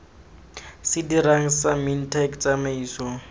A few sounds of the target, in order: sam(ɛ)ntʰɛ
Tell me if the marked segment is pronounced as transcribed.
no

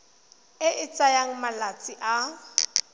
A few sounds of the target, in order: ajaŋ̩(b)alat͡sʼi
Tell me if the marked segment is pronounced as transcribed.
no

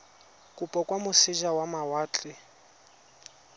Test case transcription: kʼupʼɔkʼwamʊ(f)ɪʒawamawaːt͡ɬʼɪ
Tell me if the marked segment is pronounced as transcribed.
no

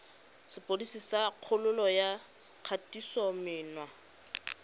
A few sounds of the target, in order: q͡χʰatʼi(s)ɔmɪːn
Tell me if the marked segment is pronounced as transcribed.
yes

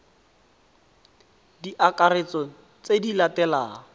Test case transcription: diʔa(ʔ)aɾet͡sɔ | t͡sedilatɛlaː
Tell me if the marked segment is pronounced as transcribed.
no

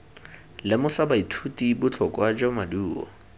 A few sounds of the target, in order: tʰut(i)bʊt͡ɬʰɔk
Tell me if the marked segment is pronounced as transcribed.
yes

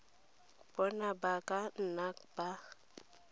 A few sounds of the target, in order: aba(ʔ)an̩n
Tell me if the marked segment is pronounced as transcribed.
no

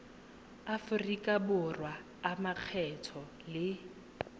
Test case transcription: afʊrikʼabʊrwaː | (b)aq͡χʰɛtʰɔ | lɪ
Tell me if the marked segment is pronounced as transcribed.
no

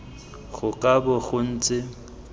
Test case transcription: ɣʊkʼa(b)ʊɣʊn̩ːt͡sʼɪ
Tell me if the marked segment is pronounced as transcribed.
yes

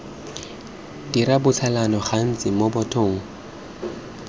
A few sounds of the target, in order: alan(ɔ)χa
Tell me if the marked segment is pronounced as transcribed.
yes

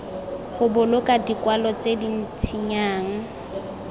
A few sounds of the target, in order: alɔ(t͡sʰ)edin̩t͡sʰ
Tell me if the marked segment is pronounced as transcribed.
no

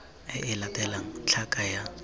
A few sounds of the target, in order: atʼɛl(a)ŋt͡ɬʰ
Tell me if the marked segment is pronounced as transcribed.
yes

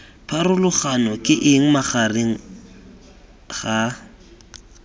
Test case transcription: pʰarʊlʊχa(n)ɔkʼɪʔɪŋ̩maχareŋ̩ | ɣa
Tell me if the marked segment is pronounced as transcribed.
yes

